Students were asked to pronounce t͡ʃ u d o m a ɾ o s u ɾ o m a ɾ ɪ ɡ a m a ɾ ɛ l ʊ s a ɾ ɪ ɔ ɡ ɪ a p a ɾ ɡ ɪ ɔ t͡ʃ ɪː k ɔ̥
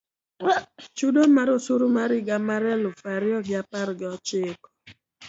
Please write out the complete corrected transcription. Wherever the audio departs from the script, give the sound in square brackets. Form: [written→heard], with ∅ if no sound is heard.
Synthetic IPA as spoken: t͡ʃ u d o m a ɾ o s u ɾ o m a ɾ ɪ ɡ a m a ɾ ɛ l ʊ [s→f] a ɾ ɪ ɔ ɡ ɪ a p a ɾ ɡ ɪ ɔ t͡ʃ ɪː k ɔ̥